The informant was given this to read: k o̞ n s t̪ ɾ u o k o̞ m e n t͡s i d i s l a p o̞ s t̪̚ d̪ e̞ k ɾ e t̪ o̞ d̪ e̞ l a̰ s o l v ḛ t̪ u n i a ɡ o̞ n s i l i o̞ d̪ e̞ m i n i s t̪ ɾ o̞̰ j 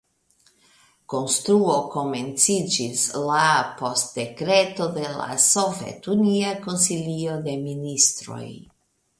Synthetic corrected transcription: k o̞ n s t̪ ɾ u o k o̞ m e n t͡s i d͡ʒ i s l a p o̞ s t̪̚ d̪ e̞ k ɾ e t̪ o̞ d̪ e̞ l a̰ s o v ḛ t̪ u n i a k o̞ n s i l i o̞ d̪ e̞ m i n i s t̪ ɾ o̞̰ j